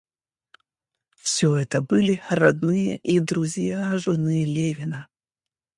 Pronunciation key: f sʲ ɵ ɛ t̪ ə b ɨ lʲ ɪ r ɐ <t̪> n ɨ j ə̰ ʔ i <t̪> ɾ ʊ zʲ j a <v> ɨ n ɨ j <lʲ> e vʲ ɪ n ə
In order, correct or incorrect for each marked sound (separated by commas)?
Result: incorrect, incorrect, incorrect, correct